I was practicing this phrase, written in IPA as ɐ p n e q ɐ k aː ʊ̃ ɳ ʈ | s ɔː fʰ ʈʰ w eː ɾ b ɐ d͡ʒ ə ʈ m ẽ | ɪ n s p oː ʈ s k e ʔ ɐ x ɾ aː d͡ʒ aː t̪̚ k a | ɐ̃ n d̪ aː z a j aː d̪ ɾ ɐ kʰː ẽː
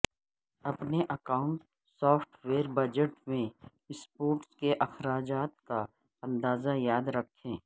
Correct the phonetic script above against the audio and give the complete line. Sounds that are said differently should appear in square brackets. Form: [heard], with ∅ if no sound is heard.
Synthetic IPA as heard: ɐ p n e [ʔ] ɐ k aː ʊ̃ ɳ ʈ | s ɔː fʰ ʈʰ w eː ɾ b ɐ d͡ʒ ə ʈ m ẽ | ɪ [∅] s p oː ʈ s k e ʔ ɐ x ɾ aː d͡ʒ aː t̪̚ k a | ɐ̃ n d̪ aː z a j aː d̪ ɾ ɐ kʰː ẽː